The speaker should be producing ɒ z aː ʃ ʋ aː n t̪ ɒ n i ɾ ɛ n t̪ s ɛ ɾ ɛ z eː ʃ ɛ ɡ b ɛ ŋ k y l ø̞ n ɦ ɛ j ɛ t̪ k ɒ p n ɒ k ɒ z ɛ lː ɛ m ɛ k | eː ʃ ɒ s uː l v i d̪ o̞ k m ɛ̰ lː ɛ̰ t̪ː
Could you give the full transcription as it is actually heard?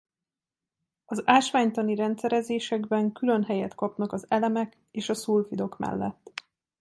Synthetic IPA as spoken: ɒ z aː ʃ ʋ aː ɲ t̪ ɒ n i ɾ ɛ n t̪ s ɛ ɾ ɛ z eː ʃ ɛ ɡ b ɛ ŋ k y l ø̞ n ɦ ɛ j ɛ t̪ k ɒ p n ɒ k ɒ z ɛ l ɛ m ɛ k | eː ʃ ɒ s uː l f i d̪ o̞ k m ɛ̰ lː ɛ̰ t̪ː